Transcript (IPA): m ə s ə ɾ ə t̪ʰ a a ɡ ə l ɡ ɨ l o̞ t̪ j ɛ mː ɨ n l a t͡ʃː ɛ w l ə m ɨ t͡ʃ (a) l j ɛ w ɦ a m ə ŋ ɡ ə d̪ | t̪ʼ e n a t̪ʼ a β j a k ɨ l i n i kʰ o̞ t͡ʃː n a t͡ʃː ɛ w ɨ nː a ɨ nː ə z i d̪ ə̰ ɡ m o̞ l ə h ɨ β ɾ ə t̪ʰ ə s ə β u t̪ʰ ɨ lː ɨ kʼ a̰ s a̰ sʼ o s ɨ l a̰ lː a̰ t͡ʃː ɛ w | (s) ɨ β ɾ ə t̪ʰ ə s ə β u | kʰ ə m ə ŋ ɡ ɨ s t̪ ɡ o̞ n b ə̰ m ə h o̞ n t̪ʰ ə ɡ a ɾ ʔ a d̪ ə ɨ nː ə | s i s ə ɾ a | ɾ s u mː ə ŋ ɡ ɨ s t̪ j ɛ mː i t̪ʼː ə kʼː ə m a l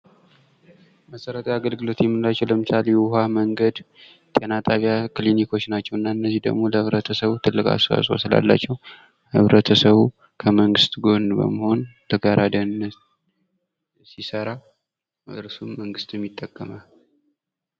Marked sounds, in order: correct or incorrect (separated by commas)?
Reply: correct, incorrect